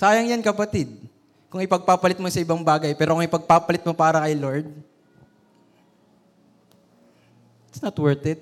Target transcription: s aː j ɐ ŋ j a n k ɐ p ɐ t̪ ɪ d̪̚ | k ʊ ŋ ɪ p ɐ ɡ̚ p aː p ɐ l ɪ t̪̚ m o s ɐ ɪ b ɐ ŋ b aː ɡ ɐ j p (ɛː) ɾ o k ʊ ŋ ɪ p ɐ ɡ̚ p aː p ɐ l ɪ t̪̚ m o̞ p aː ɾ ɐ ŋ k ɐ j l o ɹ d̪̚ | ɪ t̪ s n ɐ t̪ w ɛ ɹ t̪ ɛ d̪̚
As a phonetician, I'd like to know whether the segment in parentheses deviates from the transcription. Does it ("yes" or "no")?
no